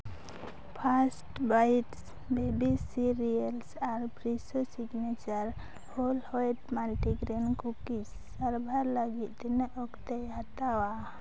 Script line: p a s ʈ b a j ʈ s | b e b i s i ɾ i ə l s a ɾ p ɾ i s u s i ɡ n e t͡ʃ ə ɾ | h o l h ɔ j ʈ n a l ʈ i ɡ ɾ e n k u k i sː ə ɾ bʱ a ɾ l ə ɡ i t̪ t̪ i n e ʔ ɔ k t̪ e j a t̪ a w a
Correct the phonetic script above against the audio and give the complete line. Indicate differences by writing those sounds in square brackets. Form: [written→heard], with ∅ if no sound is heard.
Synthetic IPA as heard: [p→pʰ] a s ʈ b a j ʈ s | b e b i s i ɾ i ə l s a ɾ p ɾ i s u s i ɡ n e t͡ʃ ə ɾ | h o l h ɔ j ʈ [n→m] a l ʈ i ɡ ɾ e n k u k i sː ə ɾ bʱ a ɾ l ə ɡ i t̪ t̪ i n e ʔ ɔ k t̪ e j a t̪ a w a